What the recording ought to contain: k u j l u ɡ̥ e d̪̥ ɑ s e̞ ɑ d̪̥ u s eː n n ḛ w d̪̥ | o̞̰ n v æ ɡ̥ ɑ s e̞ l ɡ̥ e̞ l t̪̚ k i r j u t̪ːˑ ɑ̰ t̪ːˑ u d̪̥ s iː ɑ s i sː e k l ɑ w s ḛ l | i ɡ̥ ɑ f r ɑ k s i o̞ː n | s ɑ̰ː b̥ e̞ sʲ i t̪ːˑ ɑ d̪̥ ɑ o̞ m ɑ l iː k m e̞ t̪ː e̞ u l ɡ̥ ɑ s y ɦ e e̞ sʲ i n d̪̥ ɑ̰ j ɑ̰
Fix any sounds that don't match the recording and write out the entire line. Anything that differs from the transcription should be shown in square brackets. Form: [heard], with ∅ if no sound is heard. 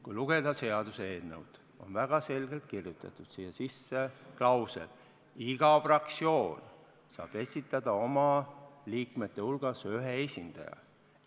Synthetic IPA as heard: k u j l u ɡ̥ e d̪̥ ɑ s e̞ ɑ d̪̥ u s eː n n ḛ w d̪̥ | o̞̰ n v æ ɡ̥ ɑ s e̞ l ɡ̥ e̞ l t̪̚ k i r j u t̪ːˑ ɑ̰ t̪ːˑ u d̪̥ s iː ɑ s i sː e k l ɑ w s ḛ l | i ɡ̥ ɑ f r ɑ k s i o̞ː n | s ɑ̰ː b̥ e̞ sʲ i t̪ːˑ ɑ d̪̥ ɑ o̞ m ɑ l iː k m e̞ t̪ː e̞ u l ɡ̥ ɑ s y ɦ e e̞ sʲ i n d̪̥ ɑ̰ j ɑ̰